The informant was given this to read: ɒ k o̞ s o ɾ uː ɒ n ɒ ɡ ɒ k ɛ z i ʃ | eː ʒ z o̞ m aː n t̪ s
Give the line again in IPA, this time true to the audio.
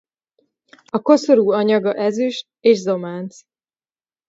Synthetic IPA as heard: ɒ k o̞ s o ɾ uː ɒ ɲ ɒ ɡ ɒ ʔ ɛ z y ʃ | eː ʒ z o̞ m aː n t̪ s